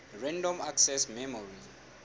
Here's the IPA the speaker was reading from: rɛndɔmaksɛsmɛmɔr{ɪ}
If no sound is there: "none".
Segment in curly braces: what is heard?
i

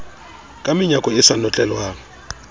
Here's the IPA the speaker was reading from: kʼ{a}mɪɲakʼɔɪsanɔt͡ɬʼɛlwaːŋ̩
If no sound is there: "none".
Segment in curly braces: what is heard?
a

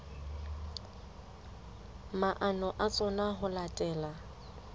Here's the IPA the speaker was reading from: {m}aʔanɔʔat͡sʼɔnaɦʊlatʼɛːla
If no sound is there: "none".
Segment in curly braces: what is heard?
m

